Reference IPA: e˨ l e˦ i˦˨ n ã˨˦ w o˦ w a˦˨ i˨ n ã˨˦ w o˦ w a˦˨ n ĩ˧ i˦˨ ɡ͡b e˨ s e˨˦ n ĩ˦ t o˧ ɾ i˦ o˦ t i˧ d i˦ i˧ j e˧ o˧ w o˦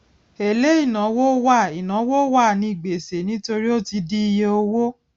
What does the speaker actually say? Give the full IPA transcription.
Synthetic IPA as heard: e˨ l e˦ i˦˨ n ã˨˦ w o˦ w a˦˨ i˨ n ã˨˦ w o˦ w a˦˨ n ĩ˧ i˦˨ ɡ͡b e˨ s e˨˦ n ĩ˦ t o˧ ɾ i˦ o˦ t i˧ d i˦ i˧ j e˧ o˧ w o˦